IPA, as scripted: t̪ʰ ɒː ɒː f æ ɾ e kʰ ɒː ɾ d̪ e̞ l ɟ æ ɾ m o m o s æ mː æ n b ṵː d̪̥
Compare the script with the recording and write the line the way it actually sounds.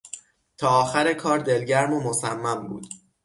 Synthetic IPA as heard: t̪ʰ ɒː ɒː x æ ɾ e kʰ ɒː ɾ d̪ e̞ l ɟ æ ɾ m o m o s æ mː æ m b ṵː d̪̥